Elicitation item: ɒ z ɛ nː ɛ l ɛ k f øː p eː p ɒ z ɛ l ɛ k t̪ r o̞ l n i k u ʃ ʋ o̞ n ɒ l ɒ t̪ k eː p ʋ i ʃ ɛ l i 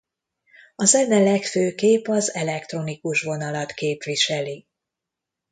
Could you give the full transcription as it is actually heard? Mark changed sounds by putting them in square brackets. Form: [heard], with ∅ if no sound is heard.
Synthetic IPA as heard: ɒ z ɛ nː ɛ l ɛ k f øː [k] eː p ɒ z ɛ l ɛ k t̪ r o̞ [∅] n i k u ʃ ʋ o̞ n ɒ l ɒ t̪ k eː p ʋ i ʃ ɛ l i